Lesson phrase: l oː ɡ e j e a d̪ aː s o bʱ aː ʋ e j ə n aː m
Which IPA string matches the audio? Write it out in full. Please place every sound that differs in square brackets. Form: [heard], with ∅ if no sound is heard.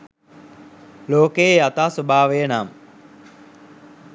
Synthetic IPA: l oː [k] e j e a [t̪] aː s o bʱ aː ʋ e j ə n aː m